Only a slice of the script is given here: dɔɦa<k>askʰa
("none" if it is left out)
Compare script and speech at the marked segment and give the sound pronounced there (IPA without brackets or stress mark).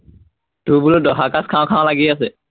k